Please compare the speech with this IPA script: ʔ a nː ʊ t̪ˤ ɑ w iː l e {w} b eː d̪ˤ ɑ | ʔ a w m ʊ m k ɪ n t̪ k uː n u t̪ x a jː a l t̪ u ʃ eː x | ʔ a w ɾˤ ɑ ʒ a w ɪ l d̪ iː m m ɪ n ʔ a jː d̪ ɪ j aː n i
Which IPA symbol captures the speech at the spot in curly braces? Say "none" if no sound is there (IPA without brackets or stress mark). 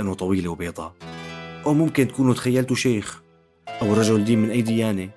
w